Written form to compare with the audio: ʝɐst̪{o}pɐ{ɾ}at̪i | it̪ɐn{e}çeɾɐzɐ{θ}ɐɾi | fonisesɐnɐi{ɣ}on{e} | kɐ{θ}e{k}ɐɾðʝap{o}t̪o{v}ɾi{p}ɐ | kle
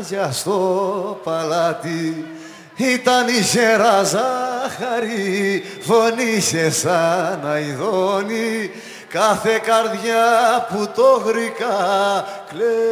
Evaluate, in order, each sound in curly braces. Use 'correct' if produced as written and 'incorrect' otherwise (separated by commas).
correct, incorrect, incorrect, incorrect, incorrect, incorrect, correct, correct, incorrect, incorrect, incorrect